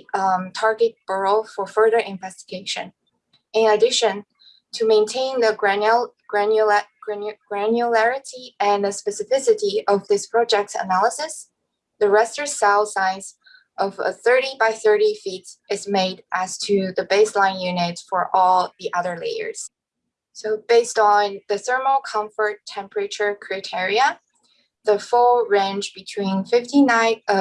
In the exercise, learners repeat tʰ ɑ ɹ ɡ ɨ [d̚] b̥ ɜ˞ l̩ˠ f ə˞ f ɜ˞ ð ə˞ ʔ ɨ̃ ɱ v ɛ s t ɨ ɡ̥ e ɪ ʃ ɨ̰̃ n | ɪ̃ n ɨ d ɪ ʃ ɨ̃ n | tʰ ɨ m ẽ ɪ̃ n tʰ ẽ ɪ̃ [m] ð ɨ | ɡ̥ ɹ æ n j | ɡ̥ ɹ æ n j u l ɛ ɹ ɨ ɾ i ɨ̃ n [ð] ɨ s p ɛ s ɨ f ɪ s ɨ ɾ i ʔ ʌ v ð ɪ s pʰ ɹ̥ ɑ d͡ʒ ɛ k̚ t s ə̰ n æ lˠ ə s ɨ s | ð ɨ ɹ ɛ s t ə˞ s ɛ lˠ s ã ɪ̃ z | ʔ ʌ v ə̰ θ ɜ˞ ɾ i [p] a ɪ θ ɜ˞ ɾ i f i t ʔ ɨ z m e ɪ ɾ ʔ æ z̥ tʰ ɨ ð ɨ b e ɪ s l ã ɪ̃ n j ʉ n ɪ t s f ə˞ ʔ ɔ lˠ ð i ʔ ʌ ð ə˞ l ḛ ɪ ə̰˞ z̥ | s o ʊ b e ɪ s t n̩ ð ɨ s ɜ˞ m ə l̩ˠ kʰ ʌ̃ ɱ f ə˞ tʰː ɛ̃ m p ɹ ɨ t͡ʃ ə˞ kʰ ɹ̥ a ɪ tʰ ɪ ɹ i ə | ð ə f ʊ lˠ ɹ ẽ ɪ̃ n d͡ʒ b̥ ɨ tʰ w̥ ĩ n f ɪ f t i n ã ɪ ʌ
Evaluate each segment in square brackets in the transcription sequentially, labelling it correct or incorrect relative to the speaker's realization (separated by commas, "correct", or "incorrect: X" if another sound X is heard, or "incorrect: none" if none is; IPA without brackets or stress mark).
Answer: incorrect: t̚, incorrect: n, correct, incorrect: b